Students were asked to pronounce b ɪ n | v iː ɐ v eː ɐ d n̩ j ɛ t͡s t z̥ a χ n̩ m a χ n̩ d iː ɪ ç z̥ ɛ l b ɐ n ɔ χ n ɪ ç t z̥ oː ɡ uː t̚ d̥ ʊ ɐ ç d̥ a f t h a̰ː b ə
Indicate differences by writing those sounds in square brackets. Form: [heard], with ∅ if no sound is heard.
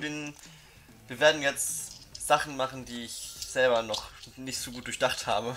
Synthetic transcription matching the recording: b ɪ n | v iː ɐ v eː ɐ d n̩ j ɛ t͡s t z̥ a χ n̩ m a χ n̩ d iː ɪ ç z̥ ɛ l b ɐ n ɔ χ n ɪ ç t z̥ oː ɡ uː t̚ d̥ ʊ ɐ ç d̥ a [χ] t h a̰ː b ə